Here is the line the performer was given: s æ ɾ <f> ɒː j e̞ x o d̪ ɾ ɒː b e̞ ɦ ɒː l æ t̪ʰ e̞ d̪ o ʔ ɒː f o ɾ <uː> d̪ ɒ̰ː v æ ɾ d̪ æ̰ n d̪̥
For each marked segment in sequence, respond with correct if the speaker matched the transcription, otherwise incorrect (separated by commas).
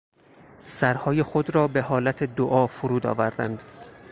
incorrect, correct